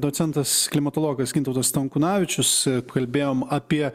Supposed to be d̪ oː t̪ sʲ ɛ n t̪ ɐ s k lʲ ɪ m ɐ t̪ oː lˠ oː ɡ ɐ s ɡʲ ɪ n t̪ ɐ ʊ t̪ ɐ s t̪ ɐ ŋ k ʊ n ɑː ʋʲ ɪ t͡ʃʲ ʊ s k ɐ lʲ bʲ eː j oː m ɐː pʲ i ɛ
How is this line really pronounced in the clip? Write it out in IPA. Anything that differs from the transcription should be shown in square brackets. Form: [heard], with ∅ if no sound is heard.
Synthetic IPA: d̪ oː t̪ sʲ ɛ n t̪ ɐ s k lʲ ɪ m ɐ t̪ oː lˠ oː ɡ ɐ s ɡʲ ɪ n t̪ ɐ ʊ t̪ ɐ s t̪ ɐ ŋ k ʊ n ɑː ʋʲ ɪ t͡ʃʲ ʊ s k ɐ lʲ bʲ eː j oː m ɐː pʲ i ɛ